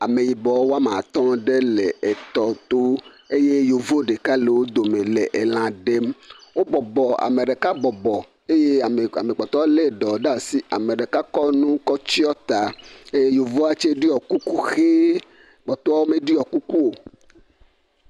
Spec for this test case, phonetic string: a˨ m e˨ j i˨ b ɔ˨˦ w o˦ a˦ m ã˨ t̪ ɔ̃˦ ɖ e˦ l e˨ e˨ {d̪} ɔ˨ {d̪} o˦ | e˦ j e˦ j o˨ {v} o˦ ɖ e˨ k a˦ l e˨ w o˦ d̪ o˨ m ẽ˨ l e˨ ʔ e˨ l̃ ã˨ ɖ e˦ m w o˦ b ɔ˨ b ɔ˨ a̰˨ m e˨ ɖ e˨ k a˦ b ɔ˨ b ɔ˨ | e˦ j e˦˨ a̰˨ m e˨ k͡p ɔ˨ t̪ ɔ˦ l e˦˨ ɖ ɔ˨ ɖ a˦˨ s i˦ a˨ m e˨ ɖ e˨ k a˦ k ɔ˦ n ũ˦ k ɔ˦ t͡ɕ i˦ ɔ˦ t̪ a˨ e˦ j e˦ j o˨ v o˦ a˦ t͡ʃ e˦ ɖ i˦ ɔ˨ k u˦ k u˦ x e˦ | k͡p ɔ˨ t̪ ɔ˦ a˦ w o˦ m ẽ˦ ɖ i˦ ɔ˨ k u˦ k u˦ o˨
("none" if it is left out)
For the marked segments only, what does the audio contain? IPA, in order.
t̪, t̪, v

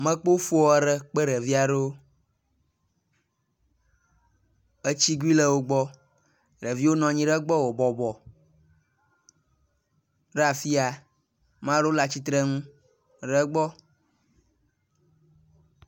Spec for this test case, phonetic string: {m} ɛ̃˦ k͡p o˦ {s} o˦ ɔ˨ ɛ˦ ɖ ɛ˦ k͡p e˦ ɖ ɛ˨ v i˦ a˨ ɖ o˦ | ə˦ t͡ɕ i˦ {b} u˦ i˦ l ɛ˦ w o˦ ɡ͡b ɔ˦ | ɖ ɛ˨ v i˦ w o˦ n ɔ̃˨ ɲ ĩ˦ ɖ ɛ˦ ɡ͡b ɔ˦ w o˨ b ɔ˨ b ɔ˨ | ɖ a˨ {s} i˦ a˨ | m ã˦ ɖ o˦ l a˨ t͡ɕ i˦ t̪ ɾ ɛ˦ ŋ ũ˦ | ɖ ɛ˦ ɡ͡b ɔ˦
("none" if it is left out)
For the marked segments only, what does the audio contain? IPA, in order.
m, f, ɡ, f

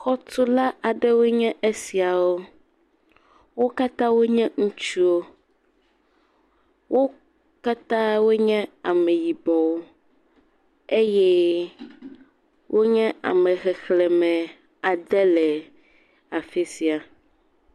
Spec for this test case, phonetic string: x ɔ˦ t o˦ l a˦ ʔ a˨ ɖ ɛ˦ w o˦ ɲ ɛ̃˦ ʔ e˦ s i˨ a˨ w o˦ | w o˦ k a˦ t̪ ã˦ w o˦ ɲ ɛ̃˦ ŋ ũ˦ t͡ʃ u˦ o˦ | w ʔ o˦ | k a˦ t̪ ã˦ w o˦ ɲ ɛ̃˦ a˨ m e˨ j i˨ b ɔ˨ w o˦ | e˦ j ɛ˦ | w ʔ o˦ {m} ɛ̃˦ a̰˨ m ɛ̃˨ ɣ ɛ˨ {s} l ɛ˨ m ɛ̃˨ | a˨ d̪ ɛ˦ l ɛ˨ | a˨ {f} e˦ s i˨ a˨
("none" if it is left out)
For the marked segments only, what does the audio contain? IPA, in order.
ɲ, x, f

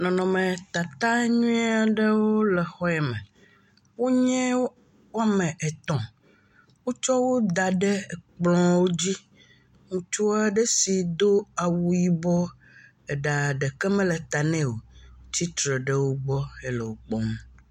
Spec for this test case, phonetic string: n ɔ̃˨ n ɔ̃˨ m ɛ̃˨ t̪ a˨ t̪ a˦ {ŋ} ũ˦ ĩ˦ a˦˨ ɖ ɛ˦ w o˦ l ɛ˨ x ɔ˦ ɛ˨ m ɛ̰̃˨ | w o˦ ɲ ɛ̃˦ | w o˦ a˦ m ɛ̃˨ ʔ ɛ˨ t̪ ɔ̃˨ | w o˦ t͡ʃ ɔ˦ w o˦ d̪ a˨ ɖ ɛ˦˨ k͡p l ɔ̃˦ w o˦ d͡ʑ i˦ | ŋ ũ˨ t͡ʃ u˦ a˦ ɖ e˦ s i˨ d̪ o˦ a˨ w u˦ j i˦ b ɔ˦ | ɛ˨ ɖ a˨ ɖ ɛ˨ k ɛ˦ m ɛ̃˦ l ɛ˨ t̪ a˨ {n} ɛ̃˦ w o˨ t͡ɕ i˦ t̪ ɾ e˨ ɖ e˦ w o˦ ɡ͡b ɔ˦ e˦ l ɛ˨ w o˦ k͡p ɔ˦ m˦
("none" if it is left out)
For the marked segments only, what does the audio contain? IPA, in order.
ɲ, n

